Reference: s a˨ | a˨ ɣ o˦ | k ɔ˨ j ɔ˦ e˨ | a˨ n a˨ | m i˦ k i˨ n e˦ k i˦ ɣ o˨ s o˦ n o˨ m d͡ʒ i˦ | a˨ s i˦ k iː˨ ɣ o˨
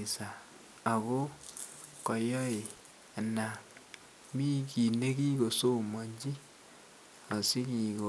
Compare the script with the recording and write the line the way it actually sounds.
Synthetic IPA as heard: s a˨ | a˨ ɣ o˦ | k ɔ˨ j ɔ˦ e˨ | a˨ n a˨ | m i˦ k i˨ n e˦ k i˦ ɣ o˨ s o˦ m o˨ ɲ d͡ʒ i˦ | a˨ s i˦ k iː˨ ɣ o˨